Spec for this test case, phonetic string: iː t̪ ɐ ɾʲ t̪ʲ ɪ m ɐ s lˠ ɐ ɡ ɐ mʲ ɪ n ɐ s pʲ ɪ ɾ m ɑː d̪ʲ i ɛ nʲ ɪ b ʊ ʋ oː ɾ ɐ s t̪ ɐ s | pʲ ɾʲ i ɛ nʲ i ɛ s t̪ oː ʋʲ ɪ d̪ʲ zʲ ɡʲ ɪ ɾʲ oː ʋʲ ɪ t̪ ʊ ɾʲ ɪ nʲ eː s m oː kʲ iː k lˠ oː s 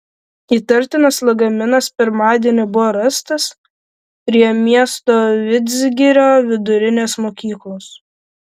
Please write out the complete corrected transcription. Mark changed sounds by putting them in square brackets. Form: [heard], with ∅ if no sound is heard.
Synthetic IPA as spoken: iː t̪ ɐ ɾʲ t̪ʲ ɪ [n] ɐ s lˠ ɐ ɡ ɐ mʲ ɪ n ɐ s pʲ ɪ ɾ m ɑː d̪ʲ i ɛ nʲ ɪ b ʊ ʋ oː ɾ ɐ s t̪ ɐ s | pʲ ɾʲ i ɛ [mʲ] i ɛ s t̪ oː ʋʲ ɪ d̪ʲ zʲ ɡʲ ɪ ɾʲ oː ʋʲ ɪ [d̪] ʊ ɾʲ ɪ nʲ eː s m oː kʲ iː k lˠ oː s